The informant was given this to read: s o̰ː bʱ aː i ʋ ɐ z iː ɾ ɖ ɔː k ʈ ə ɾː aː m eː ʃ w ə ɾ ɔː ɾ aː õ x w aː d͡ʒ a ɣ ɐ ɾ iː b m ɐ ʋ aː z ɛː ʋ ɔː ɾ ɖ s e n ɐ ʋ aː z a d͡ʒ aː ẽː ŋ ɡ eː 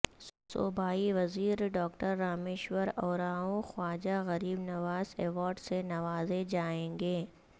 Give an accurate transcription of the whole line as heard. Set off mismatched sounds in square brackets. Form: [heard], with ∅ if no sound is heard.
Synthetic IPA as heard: s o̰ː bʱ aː i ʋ ɐ z iː ɾ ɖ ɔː k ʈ ə ɾː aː m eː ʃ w ə ɾ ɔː ɾ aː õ x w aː d͡ʒ a ɣ ɐ ɾ iː b [n] ɐ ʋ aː z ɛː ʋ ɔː ɾ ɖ s e n ɐ ʋ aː z [e] d͡ʒ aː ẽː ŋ ɡ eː